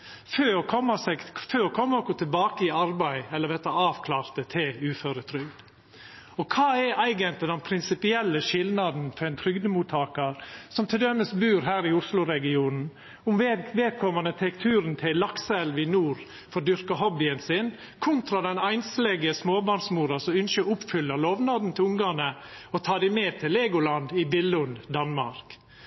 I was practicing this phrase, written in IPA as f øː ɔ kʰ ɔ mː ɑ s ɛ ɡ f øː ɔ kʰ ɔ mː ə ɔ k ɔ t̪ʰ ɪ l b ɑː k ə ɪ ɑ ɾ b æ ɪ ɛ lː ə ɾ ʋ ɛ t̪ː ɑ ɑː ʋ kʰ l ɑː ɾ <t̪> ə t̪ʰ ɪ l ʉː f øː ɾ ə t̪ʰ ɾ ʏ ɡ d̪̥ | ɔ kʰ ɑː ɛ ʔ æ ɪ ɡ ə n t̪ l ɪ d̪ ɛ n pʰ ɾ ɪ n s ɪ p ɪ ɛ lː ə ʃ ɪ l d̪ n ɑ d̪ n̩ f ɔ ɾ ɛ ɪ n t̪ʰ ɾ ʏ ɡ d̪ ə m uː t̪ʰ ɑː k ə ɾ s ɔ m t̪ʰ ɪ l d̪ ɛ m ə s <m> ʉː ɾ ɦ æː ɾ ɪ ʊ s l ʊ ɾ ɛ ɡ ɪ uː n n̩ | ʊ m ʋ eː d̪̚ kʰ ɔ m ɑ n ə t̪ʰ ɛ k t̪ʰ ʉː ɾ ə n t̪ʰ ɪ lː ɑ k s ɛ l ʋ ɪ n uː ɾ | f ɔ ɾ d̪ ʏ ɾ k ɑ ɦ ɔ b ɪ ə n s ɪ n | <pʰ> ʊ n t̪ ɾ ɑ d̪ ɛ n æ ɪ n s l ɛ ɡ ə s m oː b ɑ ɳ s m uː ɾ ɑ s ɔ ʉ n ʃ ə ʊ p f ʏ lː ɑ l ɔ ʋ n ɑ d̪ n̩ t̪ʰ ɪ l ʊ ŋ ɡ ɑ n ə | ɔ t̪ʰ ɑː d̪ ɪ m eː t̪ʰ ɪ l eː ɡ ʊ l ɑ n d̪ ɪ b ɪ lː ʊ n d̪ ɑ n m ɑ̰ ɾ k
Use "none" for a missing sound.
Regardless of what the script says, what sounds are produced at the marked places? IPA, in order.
t̪, b, kʰ

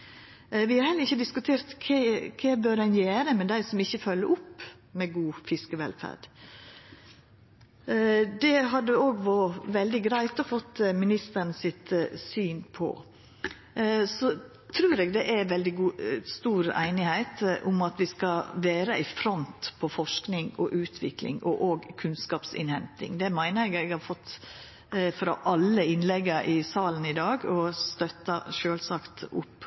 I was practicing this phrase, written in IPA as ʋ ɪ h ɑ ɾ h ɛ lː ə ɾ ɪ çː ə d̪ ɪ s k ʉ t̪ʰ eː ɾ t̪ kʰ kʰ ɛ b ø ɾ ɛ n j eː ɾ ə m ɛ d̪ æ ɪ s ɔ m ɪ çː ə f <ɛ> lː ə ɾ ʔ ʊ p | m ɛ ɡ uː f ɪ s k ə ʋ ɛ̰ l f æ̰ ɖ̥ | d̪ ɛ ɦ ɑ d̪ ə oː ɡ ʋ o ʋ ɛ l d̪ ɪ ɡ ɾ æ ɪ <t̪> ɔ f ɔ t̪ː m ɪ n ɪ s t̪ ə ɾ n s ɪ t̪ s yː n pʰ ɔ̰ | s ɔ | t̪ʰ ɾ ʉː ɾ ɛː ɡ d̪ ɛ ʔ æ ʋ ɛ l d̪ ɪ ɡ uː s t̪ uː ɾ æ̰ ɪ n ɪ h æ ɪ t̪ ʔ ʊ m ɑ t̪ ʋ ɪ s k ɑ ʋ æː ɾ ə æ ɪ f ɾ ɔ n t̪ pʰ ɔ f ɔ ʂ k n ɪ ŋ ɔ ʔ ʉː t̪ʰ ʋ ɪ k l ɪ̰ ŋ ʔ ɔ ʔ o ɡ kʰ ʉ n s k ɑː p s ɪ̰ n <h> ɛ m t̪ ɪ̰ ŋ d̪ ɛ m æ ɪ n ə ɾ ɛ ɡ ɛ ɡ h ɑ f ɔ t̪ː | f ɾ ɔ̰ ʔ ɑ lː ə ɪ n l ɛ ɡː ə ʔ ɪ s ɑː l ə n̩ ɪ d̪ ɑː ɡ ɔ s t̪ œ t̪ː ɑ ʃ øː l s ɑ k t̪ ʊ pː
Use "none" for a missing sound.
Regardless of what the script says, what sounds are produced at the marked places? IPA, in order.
œ, t̪, h

